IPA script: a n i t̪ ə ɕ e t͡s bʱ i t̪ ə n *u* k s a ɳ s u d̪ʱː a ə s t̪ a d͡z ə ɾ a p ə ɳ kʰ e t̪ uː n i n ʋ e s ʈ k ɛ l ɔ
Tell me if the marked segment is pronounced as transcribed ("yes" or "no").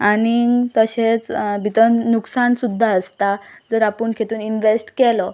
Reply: yes